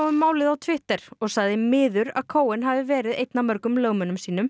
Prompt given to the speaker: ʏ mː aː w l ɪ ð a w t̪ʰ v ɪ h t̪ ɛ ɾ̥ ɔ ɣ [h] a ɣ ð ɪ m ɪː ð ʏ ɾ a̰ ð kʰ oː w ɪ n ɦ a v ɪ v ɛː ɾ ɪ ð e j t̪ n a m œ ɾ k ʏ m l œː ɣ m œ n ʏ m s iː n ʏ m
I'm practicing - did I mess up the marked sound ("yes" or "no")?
yes